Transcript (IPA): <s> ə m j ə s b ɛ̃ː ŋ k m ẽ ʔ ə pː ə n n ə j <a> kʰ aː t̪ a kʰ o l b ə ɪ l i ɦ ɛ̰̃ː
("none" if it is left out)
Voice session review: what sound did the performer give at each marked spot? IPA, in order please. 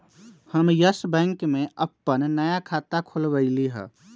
h, a

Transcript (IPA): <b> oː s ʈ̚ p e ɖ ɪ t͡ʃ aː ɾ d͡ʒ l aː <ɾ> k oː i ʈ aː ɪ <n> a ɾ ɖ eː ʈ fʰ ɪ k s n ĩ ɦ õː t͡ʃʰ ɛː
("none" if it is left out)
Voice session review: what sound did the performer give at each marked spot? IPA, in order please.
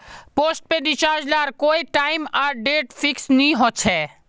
p, ɾ, m

